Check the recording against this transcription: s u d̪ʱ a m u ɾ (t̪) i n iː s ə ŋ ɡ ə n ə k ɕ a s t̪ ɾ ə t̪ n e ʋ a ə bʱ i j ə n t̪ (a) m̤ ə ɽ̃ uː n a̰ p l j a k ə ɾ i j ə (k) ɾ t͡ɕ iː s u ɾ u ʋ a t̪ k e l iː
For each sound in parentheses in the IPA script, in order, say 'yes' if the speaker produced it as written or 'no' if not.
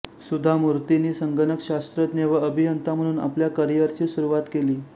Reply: yes, yes, no

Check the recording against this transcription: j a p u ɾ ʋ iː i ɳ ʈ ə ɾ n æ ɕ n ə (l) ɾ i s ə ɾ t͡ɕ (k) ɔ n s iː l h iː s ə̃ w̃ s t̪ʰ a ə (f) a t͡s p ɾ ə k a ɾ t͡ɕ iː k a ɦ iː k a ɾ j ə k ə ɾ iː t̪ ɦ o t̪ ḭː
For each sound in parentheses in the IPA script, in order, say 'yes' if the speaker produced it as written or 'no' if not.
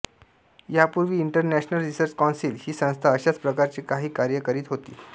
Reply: yes, yes, no

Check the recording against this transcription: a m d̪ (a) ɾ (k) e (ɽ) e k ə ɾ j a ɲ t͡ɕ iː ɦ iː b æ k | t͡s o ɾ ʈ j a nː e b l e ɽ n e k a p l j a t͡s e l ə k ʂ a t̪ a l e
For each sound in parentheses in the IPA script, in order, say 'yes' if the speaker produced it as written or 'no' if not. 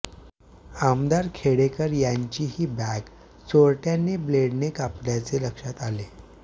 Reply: yes, no, yes

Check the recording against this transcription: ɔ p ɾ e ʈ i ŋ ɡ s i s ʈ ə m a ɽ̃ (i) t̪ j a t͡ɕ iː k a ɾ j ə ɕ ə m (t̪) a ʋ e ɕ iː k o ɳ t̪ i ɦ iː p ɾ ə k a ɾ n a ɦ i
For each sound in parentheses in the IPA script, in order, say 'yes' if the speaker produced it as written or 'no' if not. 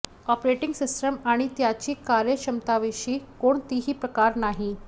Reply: yes, yes

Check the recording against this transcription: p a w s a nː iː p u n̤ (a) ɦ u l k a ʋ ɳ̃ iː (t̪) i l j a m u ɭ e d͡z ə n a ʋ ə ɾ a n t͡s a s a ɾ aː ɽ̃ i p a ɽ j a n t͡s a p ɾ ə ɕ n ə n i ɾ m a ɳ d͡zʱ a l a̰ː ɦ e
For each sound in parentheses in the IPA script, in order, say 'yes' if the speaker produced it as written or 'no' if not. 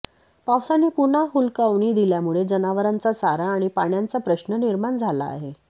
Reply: yes, no

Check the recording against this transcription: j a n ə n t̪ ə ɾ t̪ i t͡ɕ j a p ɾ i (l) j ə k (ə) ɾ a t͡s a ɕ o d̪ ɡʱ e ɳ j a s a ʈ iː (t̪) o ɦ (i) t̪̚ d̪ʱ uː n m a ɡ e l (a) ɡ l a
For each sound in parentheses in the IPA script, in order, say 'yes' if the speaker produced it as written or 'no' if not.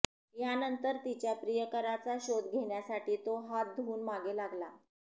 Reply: no, yes, yes, no, yes

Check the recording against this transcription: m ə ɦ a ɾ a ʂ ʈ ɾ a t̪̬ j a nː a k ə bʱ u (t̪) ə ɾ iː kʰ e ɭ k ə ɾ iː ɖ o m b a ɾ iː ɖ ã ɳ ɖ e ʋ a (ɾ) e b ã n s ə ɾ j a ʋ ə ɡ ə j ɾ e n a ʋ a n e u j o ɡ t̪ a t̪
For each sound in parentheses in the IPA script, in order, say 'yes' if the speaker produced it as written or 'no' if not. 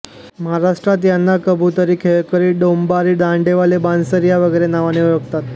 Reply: yes, no

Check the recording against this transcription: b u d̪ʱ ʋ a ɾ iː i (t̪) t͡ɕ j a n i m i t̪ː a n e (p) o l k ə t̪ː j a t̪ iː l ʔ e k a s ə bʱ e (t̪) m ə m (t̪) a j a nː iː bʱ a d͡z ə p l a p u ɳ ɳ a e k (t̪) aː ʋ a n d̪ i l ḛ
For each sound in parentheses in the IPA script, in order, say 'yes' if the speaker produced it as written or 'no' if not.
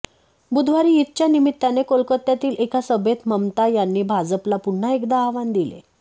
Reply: yes, no, yes, yes, no

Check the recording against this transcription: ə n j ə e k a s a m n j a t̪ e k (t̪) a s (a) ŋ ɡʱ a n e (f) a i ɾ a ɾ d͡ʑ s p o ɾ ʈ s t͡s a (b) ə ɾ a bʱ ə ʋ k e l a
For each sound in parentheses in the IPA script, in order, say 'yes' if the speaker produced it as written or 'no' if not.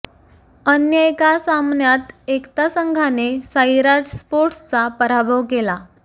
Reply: yes, no, no, no

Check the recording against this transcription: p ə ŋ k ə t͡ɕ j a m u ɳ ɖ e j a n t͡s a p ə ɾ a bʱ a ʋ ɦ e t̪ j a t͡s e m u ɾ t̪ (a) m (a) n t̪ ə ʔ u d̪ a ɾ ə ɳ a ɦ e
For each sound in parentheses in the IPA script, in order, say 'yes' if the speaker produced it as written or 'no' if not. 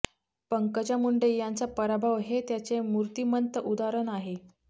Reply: no, no

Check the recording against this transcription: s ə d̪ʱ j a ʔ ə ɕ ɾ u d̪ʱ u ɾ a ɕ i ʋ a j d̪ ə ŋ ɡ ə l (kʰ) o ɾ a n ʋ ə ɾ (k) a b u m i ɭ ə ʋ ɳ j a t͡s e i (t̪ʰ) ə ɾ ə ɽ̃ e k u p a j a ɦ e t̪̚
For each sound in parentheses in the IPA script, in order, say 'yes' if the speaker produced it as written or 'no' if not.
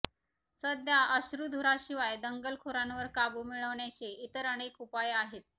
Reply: yes, yes, no

